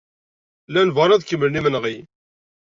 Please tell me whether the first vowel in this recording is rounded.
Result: no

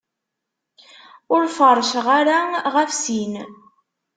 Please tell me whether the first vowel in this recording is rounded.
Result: yes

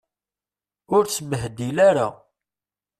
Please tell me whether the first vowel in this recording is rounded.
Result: yes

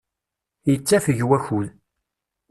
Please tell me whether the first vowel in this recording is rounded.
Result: no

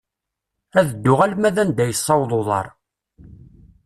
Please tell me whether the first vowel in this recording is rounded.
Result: no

